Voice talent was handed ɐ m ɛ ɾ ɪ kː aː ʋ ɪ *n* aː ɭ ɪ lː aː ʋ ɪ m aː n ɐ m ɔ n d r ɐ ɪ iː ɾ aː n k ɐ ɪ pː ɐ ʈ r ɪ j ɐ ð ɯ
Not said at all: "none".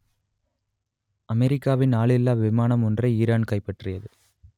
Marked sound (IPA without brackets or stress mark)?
n